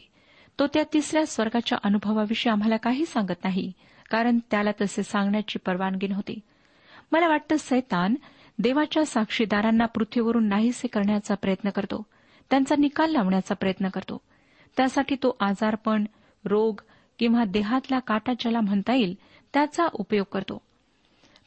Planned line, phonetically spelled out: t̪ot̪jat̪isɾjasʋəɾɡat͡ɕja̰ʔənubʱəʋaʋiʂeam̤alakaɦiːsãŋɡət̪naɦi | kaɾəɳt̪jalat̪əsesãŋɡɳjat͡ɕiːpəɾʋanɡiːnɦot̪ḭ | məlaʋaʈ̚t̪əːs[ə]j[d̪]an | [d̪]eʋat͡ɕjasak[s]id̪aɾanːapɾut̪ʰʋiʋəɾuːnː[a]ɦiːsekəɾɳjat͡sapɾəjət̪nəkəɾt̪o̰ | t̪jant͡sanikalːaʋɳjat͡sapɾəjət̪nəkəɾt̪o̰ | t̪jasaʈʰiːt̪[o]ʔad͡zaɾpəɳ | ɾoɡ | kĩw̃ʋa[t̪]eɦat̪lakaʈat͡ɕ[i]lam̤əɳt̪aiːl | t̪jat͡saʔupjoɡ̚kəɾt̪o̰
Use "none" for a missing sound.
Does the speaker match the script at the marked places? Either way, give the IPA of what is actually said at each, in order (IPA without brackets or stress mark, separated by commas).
ə, t̪, d̪, ʂ, a, o, d̪, a